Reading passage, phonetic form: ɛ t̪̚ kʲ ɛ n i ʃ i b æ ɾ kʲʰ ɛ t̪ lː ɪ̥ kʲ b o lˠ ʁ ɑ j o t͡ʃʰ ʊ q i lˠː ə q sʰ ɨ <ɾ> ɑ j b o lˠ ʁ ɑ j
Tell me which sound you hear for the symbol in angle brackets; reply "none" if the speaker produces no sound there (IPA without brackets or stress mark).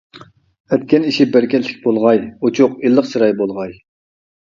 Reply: ɾ